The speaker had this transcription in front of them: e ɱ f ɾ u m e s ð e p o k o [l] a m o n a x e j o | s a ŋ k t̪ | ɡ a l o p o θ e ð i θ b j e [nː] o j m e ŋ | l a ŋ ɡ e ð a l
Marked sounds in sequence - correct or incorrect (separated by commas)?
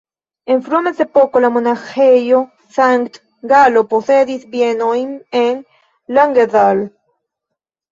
correct, incorrect